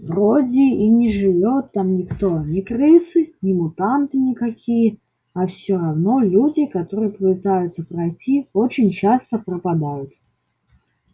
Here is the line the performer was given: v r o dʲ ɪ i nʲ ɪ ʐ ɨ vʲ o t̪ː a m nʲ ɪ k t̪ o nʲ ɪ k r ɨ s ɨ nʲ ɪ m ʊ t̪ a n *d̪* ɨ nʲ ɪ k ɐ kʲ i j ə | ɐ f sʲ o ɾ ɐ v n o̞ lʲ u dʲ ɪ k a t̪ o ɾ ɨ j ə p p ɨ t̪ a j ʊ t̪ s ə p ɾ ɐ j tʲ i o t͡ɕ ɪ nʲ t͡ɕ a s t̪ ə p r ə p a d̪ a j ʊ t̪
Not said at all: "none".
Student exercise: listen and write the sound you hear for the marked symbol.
t̪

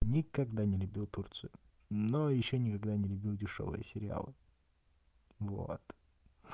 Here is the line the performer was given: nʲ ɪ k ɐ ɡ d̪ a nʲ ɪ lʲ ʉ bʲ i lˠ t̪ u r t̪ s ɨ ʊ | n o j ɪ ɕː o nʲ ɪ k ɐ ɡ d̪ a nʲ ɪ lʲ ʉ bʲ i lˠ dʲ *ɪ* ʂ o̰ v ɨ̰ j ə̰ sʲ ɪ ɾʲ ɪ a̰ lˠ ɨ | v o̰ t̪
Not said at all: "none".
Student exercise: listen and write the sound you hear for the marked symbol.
ɪ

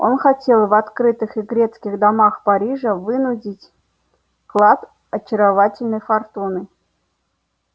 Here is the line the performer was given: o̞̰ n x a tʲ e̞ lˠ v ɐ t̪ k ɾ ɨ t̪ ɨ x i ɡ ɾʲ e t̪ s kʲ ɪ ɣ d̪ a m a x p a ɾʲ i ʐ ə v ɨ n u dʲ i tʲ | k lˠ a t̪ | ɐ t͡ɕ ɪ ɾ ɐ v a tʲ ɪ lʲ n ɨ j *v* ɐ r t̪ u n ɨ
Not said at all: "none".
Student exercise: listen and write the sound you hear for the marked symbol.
f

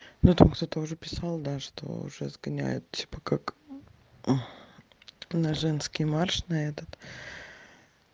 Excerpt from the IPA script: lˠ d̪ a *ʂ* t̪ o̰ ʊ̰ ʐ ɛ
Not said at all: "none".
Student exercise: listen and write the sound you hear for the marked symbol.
ʂ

